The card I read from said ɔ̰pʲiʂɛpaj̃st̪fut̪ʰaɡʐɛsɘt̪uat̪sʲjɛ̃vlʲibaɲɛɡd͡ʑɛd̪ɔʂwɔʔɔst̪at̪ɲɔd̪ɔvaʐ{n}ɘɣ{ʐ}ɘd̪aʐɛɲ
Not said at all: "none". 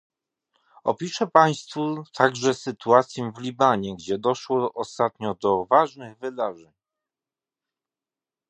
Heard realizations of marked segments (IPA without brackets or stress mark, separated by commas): n, v